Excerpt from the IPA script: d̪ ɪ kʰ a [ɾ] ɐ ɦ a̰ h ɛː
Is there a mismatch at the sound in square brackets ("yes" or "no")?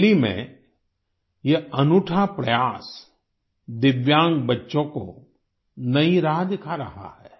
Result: no